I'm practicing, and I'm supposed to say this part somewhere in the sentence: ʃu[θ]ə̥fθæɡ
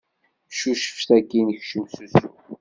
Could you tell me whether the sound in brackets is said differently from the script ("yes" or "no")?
yes